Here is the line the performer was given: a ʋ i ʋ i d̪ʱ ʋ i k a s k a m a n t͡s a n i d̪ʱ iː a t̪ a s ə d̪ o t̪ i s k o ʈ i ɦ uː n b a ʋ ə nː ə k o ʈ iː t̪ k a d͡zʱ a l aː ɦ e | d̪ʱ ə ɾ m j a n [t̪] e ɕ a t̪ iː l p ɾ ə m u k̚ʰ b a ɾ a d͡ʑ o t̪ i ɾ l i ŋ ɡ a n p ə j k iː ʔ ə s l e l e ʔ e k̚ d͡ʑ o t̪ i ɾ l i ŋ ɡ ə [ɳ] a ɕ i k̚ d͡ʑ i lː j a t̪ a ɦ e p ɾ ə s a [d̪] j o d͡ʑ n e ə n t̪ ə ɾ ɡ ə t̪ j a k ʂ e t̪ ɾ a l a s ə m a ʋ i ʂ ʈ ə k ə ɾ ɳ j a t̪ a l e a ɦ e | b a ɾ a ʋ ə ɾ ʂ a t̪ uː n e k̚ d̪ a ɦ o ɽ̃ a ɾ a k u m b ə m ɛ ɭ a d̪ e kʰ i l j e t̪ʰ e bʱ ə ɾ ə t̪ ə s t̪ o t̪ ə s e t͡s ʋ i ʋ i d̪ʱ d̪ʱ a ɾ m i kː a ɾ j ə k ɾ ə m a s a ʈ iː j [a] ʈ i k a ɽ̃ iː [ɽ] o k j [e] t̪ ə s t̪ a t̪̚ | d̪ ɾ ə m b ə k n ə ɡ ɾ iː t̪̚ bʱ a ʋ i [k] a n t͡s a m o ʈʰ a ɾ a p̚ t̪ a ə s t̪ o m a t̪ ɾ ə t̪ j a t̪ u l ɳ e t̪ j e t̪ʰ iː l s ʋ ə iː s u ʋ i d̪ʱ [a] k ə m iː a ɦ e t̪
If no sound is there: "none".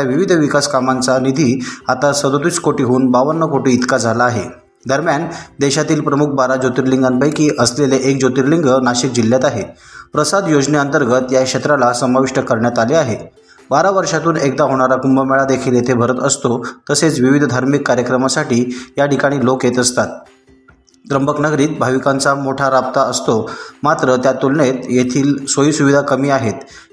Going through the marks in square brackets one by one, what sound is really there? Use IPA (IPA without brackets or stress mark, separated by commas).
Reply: d̪, n, d̪, a, l, e, k, a